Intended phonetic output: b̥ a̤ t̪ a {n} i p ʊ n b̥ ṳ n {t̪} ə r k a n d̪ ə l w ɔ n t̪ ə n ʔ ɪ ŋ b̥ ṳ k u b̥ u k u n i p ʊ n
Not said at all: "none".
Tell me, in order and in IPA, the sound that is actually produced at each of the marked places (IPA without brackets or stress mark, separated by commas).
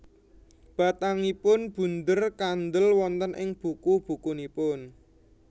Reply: ŋ, d̪